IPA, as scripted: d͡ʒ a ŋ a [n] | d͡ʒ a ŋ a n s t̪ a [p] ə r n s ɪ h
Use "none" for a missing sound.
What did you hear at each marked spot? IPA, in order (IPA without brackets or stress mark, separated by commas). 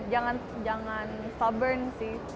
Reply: n, b